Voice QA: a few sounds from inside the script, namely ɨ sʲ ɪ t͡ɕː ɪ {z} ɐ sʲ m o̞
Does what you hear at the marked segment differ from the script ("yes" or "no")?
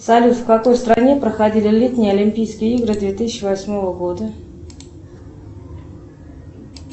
yes